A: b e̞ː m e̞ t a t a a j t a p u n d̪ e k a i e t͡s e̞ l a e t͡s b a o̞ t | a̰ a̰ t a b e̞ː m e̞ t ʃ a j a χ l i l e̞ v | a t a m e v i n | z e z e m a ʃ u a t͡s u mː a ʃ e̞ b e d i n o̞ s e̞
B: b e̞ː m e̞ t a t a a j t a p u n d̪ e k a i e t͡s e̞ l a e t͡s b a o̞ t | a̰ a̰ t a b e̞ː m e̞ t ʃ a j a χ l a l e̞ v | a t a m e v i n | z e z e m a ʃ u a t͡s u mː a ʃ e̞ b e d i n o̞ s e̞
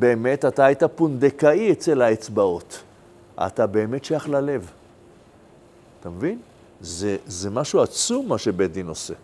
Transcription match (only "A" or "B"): B